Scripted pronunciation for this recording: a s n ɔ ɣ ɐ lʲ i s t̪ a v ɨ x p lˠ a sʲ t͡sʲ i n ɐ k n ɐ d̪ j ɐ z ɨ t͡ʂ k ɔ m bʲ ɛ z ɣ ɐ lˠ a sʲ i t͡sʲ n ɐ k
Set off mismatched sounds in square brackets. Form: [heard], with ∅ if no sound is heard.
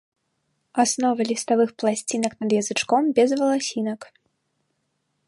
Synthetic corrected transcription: a s n ɔ [v] ɐ lʲ i s t̪ a v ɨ x p lˠ a sʲ t͡sʲ i n ɐ k n ɐ d̪ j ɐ z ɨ t͡ʂ k ɔ m bʲ ɛ z [v] ɐ lˠ a sʲ i [∅] n ɐ k